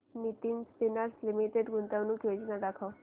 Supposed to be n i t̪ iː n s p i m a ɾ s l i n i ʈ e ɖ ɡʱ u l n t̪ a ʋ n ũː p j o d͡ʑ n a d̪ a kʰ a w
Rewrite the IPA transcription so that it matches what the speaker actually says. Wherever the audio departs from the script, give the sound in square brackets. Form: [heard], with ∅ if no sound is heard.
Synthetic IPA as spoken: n i t̪ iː n s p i [n] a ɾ s l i [m] i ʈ e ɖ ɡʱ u [∅] n t̪ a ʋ n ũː [k] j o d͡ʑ n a d̪ a kʰ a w